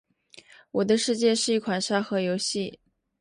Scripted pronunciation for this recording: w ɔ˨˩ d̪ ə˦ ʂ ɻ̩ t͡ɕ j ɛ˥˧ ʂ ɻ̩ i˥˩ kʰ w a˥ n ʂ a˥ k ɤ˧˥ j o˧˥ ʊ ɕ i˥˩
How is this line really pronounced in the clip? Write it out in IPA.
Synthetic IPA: w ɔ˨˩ d̪ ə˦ ʂ ɻ̩ t͡ɕ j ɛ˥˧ ʂ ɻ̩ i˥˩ kʰ w a˨˩ n ʂ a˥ x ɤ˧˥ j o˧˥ ʊ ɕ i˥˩